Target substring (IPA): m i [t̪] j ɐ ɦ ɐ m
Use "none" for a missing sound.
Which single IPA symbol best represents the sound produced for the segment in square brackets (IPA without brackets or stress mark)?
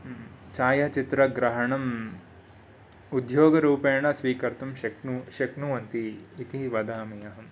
none